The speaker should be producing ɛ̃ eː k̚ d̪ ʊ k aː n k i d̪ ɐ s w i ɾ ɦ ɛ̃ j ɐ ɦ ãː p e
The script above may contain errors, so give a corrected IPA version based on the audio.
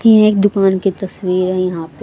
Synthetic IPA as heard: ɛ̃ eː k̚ d̪ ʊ k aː n k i t̪ ɐ s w iː ɾ ɦ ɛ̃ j ɐ ɦ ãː p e